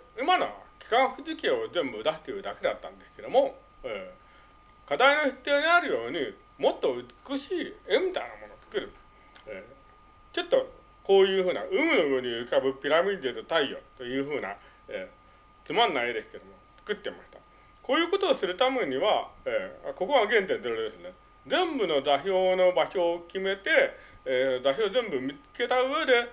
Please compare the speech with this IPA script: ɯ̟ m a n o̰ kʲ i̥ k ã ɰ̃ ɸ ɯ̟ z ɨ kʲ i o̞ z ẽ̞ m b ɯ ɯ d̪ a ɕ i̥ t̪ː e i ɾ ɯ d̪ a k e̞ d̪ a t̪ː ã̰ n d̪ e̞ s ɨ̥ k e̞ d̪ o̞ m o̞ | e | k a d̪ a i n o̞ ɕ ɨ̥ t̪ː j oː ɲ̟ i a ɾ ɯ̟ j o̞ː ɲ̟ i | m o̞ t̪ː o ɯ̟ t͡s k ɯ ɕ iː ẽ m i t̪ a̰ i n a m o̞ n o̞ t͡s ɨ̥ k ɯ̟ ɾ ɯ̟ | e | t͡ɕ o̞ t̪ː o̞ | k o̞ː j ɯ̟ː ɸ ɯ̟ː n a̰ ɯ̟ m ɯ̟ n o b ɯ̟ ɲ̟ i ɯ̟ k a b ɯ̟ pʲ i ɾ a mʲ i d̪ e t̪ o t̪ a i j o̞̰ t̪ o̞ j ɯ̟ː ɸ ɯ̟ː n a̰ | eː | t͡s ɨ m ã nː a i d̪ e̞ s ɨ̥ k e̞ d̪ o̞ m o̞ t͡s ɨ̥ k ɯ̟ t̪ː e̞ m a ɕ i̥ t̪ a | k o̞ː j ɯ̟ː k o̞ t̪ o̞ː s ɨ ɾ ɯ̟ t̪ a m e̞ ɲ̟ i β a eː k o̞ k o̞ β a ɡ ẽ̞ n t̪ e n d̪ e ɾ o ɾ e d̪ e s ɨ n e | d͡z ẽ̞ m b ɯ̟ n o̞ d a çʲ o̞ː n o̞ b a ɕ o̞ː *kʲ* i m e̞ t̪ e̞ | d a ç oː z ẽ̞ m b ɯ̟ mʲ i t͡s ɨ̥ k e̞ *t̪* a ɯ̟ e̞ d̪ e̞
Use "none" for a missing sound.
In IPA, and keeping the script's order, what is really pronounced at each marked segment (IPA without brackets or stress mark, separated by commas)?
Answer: kʲ, t̪